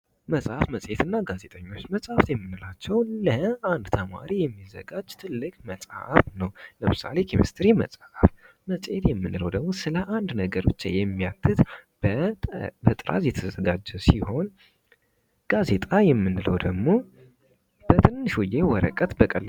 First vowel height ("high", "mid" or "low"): mid